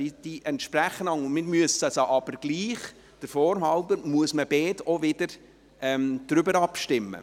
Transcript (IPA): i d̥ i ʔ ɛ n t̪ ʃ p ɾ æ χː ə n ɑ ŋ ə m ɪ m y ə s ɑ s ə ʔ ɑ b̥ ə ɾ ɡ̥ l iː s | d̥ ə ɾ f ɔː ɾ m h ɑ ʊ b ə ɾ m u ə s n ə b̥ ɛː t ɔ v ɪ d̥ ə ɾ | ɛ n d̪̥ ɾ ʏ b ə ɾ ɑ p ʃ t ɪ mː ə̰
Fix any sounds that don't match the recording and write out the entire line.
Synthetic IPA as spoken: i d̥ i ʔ ɛ n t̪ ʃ p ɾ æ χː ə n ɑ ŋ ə m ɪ m y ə s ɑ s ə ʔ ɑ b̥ ə ɾ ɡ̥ l iː χ | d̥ ə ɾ f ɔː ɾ m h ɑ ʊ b ə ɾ m u ə s m ə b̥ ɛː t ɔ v ɪ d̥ ə ɾ | ɛ m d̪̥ ɾ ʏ b ə ɾ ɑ p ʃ t ɪ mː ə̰